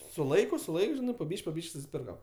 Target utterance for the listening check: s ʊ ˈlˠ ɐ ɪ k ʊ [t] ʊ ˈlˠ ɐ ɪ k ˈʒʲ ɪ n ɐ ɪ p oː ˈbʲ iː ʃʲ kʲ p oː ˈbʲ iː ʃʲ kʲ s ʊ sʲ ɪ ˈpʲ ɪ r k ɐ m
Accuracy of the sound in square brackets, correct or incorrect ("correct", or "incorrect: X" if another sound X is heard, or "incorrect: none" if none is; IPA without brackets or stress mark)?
incorrect: s